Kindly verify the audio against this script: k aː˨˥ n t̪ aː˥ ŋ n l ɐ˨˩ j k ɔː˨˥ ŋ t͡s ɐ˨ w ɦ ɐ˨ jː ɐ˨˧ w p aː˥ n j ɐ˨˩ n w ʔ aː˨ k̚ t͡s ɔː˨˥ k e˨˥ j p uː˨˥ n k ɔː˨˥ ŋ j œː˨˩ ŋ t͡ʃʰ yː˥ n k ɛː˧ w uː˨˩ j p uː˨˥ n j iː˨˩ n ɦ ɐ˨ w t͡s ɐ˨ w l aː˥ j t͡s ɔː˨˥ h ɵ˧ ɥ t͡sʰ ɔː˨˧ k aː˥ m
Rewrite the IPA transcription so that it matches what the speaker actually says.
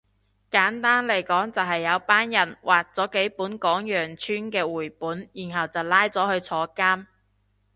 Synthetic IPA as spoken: k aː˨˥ n t̪ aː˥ n l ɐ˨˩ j k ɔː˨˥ ŋ t͡s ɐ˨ w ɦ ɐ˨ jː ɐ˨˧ w p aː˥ n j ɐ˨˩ n w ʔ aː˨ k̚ t͡s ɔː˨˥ k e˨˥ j p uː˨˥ n k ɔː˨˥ ŋ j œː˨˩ ŋ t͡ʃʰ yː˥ n k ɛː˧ w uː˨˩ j p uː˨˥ n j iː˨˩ n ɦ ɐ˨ w t͡s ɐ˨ w l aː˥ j t͡s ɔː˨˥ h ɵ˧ ɥ t͡sʰ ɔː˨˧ k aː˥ m

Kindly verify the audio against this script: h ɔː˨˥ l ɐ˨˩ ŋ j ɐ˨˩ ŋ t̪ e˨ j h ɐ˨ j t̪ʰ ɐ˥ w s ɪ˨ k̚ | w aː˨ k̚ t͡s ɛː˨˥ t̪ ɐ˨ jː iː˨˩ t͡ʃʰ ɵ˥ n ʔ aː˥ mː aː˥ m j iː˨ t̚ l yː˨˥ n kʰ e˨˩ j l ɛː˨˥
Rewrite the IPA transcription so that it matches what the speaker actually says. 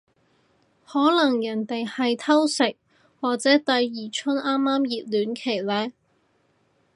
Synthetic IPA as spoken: h ɔː˨˥ l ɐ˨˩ ŋ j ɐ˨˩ n t̪ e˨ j h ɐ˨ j t̪ʰ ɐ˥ w s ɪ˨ k̚ | w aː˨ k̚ t͡s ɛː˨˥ t̪ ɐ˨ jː iː˨˩ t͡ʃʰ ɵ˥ n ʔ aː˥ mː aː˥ m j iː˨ t̚ l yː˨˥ n kʰ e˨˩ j l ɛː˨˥

